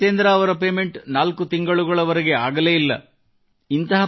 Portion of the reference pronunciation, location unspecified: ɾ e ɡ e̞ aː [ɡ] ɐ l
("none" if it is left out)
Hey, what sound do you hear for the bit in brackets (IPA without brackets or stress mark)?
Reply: ɡ